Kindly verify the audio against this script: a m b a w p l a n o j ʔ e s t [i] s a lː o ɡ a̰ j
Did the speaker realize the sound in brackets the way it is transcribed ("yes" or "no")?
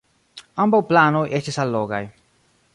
yes